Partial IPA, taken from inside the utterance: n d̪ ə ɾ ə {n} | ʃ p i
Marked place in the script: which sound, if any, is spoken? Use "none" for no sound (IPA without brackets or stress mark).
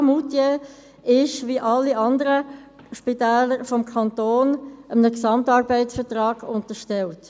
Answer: none